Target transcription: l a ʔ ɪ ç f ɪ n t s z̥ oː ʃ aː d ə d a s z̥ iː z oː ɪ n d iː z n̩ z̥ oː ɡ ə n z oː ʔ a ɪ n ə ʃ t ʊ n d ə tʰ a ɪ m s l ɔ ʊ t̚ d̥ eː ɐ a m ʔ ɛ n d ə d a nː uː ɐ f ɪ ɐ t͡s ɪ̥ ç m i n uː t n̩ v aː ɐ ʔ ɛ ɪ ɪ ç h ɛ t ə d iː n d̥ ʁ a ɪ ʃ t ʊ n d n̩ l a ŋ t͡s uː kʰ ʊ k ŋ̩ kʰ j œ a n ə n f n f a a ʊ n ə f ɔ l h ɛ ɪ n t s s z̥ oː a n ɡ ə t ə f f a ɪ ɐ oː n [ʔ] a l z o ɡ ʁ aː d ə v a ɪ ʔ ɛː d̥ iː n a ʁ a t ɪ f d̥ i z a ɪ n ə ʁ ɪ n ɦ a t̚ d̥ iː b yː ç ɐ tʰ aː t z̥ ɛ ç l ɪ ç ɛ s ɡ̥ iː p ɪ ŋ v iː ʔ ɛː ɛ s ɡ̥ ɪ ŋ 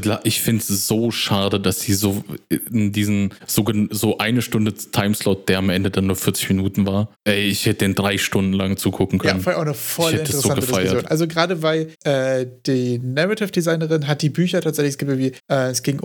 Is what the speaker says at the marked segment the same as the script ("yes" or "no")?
yes